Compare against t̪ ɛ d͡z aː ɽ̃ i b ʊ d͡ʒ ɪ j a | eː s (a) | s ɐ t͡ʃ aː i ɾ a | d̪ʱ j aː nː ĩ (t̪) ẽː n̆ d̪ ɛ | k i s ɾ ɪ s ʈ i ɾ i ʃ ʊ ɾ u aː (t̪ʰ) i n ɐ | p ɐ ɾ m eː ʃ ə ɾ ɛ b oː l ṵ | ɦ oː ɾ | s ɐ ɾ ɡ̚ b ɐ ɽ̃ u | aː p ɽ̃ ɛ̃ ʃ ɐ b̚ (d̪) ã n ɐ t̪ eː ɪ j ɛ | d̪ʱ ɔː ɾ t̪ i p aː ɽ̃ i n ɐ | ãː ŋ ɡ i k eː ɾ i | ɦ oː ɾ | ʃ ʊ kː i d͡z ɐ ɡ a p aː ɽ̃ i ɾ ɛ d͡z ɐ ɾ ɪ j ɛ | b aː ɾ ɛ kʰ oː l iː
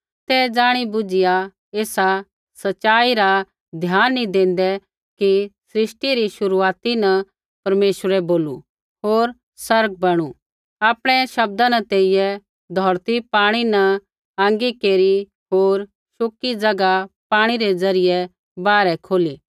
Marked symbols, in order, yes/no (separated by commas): yes, no, no, yes